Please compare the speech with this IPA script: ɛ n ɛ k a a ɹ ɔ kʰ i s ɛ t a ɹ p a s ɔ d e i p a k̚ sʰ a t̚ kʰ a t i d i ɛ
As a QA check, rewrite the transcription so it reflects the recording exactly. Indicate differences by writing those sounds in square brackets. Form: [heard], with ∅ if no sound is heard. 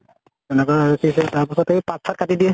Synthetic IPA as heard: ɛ n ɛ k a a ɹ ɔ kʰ i s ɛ t a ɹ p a s ɔ [t] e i p a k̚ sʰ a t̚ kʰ a t i d i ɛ